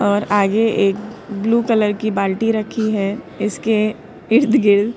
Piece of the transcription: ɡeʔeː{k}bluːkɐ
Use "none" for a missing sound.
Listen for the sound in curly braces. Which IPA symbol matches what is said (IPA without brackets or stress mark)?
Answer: k